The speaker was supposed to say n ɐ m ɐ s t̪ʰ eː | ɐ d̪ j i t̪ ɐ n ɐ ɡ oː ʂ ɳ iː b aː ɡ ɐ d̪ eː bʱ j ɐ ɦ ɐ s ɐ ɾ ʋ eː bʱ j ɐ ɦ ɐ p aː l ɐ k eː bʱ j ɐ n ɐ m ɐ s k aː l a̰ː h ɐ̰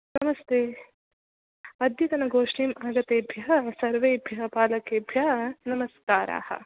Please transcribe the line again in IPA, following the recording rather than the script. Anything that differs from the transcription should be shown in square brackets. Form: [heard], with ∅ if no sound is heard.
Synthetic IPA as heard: n ɐ m ɐ s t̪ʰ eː | ɐ d̪ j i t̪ ɐ n ɐ ɡ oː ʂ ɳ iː [m] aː ɡ ɐ [t̪] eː bʱ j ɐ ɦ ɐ s ɐ ɾ ʋ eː bʱ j ɐ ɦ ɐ p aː l ɐ k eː bʱ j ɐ n ɐ m ɐ s k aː [ɾ] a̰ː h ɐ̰